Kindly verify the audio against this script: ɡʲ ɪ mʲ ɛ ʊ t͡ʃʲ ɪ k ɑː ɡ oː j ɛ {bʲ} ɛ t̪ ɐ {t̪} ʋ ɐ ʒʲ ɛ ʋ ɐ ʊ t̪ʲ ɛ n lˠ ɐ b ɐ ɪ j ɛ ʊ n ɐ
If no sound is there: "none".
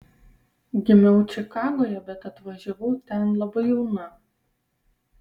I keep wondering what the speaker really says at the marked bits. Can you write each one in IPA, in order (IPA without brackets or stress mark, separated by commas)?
bʲ, t̪